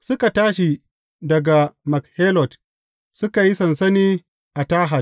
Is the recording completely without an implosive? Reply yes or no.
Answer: yes